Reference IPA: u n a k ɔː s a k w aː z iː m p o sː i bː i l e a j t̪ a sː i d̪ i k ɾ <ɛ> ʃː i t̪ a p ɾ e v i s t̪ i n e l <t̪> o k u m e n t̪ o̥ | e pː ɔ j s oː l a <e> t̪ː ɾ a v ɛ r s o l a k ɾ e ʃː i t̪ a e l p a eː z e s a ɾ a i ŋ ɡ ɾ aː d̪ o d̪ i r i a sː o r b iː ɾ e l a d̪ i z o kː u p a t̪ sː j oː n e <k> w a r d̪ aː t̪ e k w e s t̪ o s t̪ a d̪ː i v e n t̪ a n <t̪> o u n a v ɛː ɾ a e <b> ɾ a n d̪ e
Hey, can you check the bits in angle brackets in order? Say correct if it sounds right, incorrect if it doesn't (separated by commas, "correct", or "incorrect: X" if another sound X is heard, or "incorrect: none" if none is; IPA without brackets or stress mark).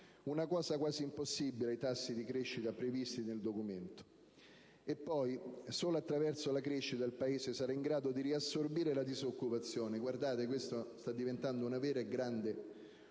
incorrect: e, incorrect: d̪, incorrect: a, incorrect: ɡ, incorrect: d̪, incorrect: ɡ